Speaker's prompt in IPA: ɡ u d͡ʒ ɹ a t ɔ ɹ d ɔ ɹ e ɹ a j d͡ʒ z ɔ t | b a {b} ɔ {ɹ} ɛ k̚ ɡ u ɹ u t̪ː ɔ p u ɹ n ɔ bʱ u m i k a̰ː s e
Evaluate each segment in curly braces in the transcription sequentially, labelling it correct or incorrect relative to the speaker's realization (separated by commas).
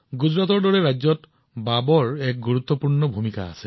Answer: correct, correct